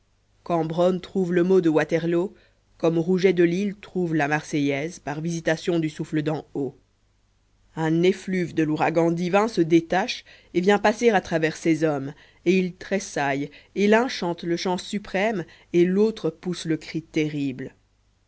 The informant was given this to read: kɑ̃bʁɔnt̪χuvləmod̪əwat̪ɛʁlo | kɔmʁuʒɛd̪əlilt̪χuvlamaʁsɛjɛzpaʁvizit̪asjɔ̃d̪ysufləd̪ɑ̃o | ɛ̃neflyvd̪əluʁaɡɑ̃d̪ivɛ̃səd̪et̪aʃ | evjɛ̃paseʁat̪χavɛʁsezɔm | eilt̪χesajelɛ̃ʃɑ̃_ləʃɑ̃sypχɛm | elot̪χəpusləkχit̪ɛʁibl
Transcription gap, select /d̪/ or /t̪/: t̪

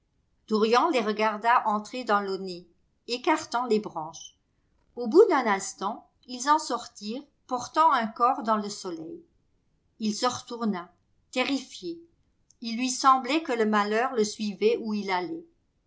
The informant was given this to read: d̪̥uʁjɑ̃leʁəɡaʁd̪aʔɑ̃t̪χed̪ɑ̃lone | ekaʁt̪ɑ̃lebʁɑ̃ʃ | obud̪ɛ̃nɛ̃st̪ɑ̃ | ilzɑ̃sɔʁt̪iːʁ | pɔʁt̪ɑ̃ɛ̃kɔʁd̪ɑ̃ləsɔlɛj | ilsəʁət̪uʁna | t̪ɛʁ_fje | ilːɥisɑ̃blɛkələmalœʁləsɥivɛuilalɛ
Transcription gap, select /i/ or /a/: i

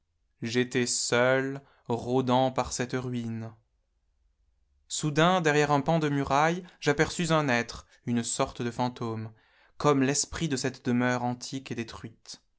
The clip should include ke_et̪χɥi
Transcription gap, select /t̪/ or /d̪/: d̪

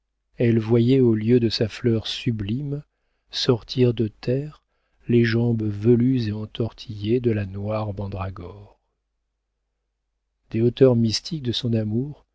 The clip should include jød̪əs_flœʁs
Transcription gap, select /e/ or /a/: a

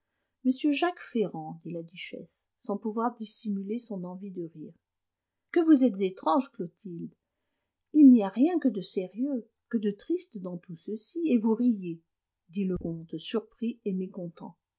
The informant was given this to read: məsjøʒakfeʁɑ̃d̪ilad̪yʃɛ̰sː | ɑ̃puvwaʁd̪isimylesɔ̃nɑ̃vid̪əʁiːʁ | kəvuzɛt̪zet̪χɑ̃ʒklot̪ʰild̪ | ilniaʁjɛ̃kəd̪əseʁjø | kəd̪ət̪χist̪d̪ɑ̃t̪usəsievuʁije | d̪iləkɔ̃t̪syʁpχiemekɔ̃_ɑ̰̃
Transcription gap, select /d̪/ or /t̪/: t̪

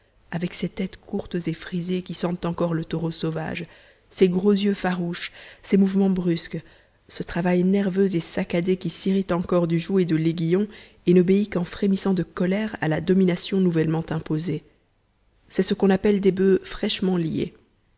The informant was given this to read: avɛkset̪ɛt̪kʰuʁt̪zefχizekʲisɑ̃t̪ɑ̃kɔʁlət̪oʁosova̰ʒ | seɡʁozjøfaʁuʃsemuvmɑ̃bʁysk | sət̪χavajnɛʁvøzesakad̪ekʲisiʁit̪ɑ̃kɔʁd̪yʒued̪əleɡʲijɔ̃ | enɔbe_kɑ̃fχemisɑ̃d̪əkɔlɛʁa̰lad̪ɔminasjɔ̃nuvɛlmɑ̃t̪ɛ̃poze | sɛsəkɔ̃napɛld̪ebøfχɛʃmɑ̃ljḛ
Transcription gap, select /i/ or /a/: i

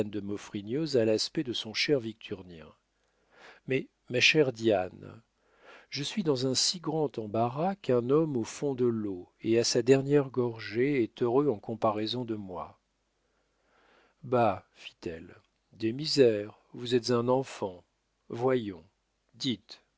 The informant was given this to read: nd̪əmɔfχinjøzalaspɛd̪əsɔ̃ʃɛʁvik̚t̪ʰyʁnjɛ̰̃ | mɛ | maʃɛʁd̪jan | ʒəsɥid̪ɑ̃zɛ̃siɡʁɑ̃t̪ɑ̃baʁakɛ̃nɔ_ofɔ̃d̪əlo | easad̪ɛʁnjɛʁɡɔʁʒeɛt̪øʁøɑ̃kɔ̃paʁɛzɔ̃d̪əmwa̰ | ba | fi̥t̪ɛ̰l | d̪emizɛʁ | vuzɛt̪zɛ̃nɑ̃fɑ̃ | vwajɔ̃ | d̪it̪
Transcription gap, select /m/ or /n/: m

